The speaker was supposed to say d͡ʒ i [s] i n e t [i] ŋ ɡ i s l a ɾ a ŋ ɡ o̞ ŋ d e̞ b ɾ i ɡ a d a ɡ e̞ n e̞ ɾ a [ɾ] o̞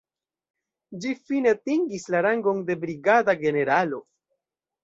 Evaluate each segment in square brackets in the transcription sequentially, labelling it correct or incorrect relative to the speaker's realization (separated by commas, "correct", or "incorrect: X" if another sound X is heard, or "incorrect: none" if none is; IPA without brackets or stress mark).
incorrect: f, correct, incorrect: l